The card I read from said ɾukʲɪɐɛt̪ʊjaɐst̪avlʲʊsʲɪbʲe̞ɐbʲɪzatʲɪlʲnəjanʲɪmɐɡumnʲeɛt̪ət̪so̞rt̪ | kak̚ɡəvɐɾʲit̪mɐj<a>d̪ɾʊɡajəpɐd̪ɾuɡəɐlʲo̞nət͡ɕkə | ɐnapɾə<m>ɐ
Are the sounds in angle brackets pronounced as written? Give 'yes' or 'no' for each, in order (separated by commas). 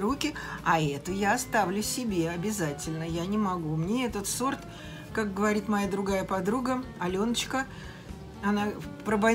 yes, no